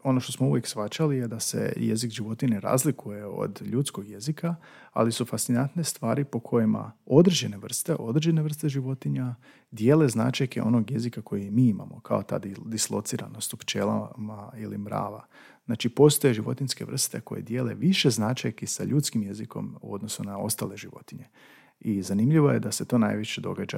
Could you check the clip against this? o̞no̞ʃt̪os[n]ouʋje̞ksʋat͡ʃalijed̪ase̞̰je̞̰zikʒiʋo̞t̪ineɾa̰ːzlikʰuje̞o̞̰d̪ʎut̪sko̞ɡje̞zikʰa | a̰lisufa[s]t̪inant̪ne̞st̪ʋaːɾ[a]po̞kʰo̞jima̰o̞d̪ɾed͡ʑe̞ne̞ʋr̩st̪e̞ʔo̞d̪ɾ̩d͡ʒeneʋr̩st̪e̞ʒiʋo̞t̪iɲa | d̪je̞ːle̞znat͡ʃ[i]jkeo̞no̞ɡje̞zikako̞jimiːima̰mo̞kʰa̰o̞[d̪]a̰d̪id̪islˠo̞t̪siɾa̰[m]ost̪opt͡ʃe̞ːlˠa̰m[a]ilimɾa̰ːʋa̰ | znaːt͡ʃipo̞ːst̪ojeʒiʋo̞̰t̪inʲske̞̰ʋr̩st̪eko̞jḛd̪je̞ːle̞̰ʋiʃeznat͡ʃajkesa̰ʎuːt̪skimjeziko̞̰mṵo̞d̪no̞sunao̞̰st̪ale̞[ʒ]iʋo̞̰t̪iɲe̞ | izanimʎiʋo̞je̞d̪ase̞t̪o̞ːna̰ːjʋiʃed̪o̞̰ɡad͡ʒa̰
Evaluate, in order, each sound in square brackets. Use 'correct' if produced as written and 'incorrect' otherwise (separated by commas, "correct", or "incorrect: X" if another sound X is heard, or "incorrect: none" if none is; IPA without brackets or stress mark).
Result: incorrect: m, correct, incorrect: i, incorrect: a, incorrect: t̪, incorrect: n, correct, correct